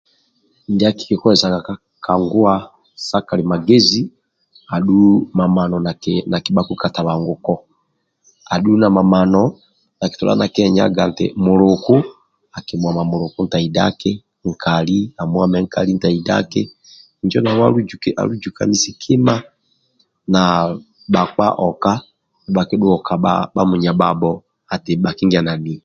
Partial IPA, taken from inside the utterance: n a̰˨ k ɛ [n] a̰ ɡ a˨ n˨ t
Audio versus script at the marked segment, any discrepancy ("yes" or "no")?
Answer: yes